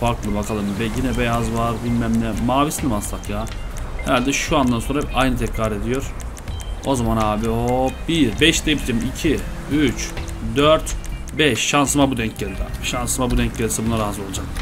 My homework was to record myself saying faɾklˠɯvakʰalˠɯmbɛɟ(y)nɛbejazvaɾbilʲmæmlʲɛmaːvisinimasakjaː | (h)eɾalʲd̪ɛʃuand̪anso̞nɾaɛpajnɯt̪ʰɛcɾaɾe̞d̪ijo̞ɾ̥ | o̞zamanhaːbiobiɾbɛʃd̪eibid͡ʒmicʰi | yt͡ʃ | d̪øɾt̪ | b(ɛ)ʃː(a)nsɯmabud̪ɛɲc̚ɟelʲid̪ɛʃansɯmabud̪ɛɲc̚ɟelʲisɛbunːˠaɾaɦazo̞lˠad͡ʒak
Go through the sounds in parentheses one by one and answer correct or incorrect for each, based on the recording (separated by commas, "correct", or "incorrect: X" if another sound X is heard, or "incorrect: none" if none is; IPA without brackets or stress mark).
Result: incorrect: i, correct, correct, correct